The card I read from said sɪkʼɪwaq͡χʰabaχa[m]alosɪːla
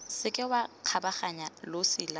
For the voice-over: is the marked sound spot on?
no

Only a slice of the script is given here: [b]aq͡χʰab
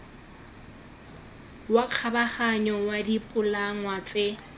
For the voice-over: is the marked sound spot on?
no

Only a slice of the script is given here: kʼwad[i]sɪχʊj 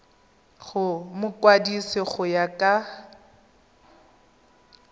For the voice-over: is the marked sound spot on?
yes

